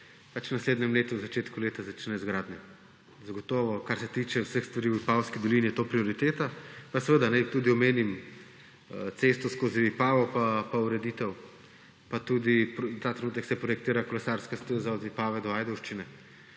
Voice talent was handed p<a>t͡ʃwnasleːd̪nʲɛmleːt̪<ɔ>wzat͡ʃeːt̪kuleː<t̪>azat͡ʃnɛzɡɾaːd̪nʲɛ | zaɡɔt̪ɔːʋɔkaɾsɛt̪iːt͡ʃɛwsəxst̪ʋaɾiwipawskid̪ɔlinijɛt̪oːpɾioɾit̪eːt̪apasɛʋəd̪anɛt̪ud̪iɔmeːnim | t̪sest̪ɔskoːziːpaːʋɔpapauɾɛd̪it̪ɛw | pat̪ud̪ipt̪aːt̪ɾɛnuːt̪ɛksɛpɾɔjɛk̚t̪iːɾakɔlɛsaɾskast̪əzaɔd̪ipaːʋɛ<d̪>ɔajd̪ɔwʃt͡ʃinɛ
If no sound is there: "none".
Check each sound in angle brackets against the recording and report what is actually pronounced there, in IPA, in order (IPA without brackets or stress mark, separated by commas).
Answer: a, u, t̪, d̪